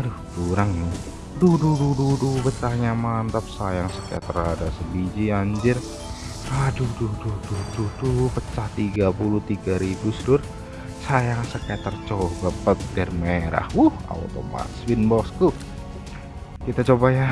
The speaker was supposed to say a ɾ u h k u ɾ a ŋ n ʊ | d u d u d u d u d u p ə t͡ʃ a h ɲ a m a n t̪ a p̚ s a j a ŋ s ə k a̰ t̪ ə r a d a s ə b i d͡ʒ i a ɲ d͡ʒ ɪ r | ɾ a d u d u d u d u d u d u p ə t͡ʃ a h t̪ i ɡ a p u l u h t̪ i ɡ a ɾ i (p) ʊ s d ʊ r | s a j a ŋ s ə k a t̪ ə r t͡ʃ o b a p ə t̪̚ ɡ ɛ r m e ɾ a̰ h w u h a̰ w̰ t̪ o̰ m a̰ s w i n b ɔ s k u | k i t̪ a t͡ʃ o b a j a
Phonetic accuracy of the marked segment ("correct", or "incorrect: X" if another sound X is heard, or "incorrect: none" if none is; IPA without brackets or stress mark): incorrect: b